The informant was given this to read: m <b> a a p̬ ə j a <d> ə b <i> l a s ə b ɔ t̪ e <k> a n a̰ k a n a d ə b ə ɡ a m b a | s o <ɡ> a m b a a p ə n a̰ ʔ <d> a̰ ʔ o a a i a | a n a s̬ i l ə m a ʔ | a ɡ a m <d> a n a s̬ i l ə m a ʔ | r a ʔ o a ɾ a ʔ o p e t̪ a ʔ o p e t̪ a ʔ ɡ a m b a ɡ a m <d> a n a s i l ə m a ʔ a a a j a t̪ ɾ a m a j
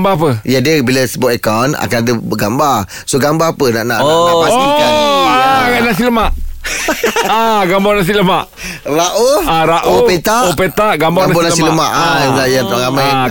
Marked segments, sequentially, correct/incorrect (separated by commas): correct, correct, correct, correct, correct, incorrect, incorrect, incorrect